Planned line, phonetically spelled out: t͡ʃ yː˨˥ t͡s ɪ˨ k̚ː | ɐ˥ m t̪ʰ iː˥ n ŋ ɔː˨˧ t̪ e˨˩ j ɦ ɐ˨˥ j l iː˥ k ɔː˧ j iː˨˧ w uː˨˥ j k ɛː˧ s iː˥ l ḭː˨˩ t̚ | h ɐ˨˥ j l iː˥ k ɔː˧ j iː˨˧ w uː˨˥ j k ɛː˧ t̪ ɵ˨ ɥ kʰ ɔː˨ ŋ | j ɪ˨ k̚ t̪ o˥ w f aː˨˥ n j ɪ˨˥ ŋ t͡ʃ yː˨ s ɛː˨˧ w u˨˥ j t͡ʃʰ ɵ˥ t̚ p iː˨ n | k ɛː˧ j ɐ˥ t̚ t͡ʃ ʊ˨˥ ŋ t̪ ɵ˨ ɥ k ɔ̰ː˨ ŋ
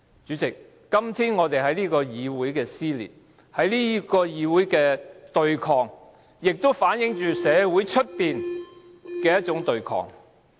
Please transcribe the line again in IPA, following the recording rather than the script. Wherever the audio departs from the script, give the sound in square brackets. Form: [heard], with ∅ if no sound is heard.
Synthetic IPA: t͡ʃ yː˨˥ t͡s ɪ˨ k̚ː | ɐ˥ m t̪ʰ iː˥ n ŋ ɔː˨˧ t̪ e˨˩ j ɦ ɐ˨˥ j l iː˥ k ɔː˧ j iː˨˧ w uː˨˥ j k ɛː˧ s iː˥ l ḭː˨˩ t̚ | h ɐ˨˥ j l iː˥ k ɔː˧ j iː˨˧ w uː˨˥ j k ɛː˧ t̪ ɵ˨ ɥ kʰ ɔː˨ ŋ | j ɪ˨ k̚ t̪ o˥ w f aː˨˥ n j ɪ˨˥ ŋ t͡ʃ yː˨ s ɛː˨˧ w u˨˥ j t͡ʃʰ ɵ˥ t̚ p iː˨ n | k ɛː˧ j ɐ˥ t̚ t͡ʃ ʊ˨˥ ŋ t̪ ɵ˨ ɥ [kʰ] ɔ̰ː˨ ŋ